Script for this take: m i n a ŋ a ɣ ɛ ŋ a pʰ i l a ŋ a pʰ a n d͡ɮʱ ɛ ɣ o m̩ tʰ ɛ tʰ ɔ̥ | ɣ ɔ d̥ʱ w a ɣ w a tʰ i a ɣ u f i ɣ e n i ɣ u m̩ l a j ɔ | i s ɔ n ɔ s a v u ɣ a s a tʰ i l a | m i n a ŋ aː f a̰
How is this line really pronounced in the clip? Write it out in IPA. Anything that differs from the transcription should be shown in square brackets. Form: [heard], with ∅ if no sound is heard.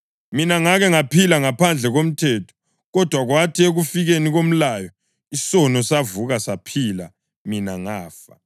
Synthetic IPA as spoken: m i n a ŋ a ɣ ɛ ŋ a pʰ i l a ŋ a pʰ a n d͡ɮʱ ɛ ɣ o m̩ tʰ ɛ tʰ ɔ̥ | ɣ ɔ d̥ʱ w a ɣ w a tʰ i [e] ɣ u f i ɣ e n i ɣ [o] m̩ l a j ɔ | i s ɔ n ɔ s a v u ɣ a s a [pʰ] i l a | m i n a ŋ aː f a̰